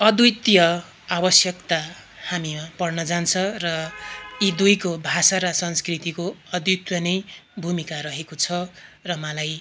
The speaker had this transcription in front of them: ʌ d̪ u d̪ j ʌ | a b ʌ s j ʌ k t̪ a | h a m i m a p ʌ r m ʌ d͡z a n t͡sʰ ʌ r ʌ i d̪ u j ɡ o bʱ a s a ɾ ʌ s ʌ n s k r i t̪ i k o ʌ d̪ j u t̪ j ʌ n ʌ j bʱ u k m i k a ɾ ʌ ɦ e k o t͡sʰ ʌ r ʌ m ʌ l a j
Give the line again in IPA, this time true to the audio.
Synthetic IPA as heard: ʌ d̪ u t̪ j ʌ | a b ʌ s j ʌ k t̪ a | h a m i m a p ʌ r n ʌ d͡z a n t͡sʰ ʌ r ʌ i d̪ u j k o bʱ a s a ɾ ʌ s ʌ n s k r i t̪ i k o ʌ d̪ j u t̪ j ʌ n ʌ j bʱ u m i k a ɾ ʌ ɦ e k o t͡sʰ ʌ r ʌ m ʌ l a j

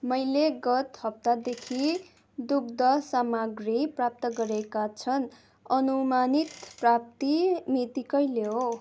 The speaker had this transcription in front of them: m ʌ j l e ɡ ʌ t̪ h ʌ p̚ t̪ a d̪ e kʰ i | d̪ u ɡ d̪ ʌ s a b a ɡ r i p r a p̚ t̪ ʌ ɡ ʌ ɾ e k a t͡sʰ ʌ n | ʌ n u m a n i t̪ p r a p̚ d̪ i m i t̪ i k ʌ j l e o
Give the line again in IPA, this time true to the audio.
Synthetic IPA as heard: m ʌ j l e ɡ ʌ t̪ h ʌ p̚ t̪ a d̪ e kʰ i | d̪ u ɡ d̪ ʌ s a m a ɡ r i p r a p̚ t̪ ʌ ɡ ʌ ɾ e k a t͡sʰ ʌ n | ʌ n u m a n i t̪ p r a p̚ t̪ i m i t̪ i k ʌ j l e o

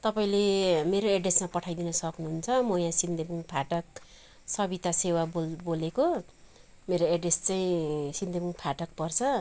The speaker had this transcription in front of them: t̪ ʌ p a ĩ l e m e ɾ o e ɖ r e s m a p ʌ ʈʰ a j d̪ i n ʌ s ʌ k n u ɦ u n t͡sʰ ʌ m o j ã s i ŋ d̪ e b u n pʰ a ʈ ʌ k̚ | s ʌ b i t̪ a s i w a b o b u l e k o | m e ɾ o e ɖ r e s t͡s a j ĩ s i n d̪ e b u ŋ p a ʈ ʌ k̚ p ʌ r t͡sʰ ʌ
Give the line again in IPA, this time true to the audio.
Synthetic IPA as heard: t̪ ʌ p a ĩ l e m e ɾ o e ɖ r e s m a p ʌ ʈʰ a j d̪ i n ʌ s ʌ k n u ɦ u n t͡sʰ ʌ m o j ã s i n d̪ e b u ŋ pʰ a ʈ ʌ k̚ | s ʌ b i t̪ a s e w a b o b o l e k o | m e ɾ o e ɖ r e s t͡s a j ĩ s i n d̪ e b u ŋ pʰ a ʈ ʌ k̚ p ʌ r t͡sʰ ʌ

